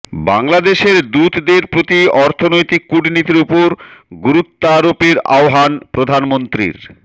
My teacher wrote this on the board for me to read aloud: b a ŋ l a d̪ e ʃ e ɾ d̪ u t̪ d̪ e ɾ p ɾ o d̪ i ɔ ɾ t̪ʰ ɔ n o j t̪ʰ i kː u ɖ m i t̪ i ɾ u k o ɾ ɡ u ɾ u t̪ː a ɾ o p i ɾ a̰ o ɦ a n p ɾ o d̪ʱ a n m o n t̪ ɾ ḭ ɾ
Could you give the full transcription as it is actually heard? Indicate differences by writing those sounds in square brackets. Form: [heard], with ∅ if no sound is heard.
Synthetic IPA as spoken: b a ŋ l a d̪ e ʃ e ɾ d̪ u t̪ d̪ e ɾ p ɾ o [t̪] i ɔ ɾ t̪ʰ [o] n o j [t̪] i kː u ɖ [n] i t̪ i ɾ u [p] o ɾ ɡ u ɾ u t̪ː a ɾ o p i ɾ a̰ o ɦ a n p ɾ o d̪ʱ a n m o n t̪ ɾ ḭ ɾ